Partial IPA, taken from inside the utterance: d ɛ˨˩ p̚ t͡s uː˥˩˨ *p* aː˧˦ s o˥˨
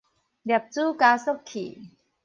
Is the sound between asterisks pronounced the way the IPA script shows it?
no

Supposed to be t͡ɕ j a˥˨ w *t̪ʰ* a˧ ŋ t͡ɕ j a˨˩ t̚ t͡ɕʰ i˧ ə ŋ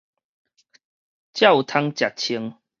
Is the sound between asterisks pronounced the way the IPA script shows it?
yes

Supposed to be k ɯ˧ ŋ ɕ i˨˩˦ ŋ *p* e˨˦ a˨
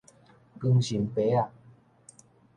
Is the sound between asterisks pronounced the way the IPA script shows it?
yes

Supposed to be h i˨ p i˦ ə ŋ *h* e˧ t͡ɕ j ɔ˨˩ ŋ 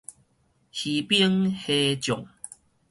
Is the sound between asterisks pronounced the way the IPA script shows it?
yes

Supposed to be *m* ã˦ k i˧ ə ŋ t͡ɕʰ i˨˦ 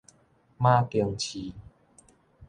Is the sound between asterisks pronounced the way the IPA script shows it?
yes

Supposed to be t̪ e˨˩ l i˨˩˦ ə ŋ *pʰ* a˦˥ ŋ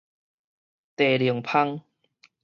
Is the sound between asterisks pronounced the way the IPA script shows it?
yes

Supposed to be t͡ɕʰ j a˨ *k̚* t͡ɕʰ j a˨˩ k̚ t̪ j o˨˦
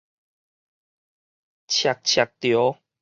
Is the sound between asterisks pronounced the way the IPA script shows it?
yes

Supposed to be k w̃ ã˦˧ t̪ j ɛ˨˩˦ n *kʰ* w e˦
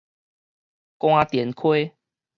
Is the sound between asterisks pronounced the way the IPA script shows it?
yes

